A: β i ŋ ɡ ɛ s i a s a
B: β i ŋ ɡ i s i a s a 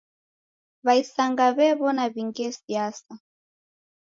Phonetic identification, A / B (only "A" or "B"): A